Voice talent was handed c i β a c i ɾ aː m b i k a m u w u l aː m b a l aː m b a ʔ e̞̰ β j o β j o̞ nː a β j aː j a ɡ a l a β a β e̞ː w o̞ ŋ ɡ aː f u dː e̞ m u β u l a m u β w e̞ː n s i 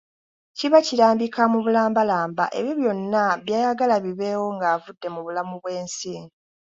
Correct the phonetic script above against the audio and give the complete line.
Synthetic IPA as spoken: c i β a c i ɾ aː m b i k a m u β u l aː m b a l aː m b a ʔ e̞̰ β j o β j o̞ nː a β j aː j a ɡ a l a β i β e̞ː w o̞ ŋ ɡ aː v u dː e̞ m u β u l a m u β w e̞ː n s i

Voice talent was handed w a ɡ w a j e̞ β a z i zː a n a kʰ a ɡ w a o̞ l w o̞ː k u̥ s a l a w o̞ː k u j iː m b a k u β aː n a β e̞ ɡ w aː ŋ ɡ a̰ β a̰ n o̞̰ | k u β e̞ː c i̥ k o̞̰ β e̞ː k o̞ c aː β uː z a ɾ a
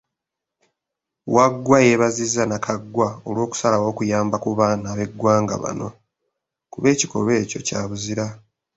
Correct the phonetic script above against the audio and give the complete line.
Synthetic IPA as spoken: w a ɡ w a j e̞ β a z i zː a n a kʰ a ɡ w a o̞ l w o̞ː k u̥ s a l a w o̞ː k u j aː m b a k u β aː n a β e̞ ɡ w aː ŋ ɡ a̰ β a̰ n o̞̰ | k u β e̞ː c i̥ k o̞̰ β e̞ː c o̞ c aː β u z i ɾ a

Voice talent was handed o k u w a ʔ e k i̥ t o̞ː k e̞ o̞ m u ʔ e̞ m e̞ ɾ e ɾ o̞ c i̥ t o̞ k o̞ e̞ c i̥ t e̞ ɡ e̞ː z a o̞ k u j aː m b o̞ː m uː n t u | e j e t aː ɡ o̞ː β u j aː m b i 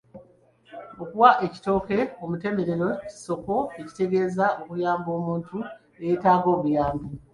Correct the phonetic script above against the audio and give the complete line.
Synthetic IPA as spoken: o k u w a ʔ e c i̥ t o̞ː k e̞ o̞ m u t e̞ m e̞ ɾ e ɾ o̞ c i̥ s o̞ k o̞ e̞ c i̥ t e̞ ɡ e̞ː z a o̞ k u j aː m b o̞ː m uː n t u | e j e t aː ɡ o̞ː β u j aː m b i

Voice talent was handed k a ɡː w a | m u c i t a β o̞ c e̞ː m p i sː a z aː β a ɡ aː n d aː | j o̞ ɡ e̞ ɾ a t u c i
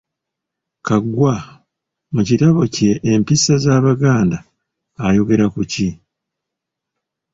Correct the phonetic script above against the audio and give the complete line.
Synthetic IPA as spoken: k a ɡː w a | m u c i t a β o̞ c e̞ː m p i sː a z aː β a ɡ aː n d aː | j o̞ ɡ e̞ ɾ a k u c i

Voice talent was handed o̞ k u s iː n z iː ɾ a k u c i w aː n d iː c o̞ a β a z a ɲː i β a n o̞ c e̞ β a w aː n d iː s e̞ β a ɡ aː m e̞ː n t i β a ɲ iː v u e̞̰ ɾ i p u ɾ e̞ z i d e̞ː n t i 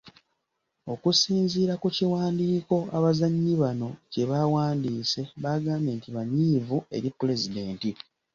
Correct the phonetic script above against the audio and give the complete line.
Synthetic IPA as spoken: o̞ k u s iː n z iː ɾ a k u c i w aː n d iː k o̞ a β a z a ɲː i β a n o̞ c e̞ β a w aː n d iː s e̞ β a ɡ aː m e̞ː n t i β a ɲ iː v u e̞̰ ɾ i p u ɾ e̞ z i d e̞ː n t i

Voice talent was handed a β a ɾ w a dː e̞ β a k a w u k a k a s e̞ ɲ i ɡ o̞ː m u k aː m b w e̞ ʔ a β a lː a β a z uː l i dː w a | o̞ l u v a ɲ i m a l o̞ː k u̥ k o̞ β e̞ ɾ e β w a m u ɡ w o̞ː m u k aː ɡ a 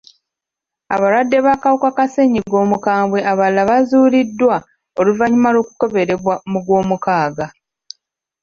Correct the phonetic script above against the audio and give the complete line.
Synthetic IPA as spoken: a β a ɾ w a dː e̞ β a k a w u k a k a s e̞ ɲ i ɡ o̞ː m u k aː m b w e̞ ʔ a β a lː a β a z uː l i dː w a | o̞ l u v a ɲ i m a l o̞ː k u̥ k o̞ β e̞ ɾ e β w a m u ɡ w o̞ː m u k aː ɡ a

